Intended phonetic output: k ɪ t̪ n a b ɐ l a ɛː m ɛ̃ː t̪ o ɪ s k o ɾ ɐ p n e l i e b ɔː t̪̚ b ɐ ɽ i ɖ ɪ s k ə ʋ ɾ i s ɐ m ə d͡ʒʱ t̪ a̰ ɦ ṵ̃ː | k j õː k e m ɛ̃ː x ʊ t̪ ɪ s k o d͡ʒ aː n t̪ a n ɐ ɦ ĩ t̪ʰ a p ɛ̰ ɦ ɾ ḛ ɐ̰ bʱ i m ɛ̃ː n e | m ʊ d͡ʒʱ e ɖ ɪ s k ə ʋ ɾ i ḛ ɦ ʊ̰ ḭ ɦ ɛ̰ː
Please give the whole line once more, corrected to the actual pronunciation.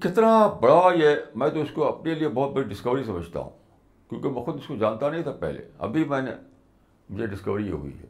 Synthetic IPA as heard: k ɪ t̪ n a b ɐ ɽ a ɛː m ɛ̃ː t̪ o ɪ s k o ɐ p n e l i e b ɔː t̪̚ b ɐ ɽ i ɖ ɪ s k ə ʋ ɾ i s ɐ m ə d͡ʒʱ t̪ a̰ ɦ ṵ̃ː | k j õː k e m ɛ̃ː x ʊ d̪ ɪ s k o d͡ʒ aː n t̪ a n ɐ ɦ ĩ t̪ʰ a p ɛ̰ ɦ l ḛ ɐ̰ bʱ i m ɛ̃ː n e | m ʊ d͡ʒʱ e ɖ ɪ s k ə ʋ ɾ i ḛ ɦ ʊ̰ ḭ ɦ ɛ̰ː